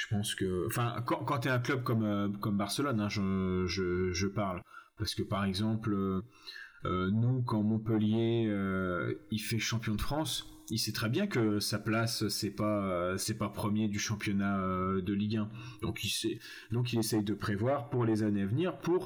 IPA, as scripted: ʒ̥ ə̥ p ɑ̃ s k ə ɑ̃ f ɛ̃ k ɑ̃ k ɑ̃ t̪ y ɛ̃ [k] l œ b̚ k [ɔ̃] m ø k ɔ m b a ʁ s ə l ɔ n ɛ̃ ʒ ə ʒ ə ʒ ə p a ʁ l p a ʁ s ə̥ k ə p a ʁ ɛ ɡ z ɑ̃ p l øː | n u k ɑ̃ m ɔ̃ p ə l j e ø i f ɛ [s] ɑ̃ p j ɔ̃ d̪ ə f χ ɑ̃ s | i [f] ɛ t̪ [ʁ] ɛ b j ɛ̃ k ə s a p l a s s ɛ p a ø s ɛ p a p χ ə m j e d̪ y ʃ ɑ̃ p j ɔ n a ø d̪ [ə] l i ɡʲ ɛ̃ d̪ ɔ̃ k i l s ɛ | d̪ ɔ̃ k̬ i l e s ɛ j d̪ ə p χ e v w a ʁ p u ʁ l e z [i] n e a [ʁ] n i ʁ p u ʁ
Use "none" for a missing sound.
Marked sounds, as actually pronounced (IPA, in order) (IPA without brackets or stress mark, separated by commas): k, ɔ, ʃ, s, χ, ə, a, v